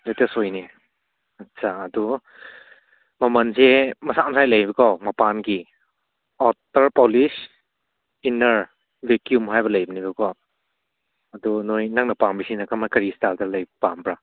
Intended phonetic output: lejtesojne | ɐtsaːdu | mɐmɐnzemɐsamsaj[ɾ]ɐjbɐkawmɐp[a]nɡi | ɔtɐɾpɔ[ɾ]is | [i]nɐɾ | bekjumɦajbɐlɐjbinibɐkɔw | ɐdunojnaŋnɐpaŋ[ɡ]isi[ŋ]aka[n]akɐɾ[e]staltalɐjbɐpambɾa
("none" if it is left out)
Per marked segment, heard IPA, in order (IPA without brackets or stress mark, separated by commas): l, a, l, i, b, n, m, i